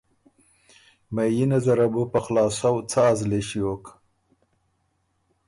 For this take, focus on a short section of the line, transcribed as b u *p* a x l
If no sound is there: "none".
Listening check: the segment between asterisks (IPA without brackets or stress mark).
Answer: p